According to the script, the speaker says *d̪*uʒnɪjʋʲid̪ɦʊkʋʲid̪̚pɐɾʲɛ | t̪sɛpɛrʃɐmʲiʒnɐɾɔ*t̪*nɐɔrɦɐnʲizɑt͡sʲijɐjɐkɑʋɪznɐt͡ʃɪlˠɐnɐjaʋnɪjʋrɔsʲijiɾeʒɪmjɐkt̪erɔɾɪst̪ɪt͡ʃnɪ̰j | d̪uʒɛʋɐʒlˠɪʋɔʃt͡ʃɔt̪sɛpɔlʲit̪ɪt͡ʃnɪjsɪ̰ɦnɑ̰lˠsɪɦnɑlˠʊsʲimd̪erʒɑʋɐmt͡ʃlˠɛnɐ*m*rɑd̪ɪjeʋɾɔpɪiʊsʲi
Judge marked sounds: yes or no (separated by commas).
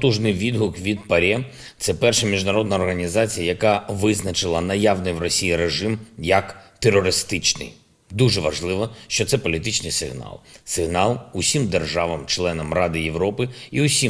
no, no, yes